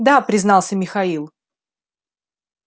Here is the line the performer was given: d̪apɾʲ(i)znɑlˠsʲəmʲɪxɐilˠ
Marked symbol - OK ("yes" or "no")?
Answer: no